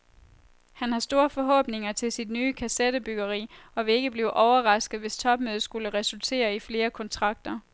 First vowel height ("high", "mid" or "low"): low